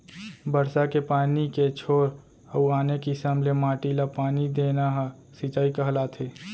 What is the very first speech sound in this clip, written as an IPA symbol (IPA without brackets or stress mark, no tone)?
b